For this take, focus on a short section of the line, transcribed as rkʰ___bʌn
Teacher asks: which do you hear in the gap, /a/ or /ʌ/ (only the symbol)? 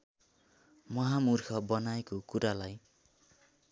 ʌ